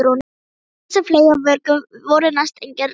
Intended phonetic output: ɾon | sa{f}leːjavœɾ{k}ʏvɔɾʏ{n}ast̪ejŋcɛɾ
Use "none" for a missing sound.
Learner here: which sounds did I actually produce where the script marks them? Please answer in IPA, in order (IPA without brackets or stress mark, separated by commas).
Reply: f, k, n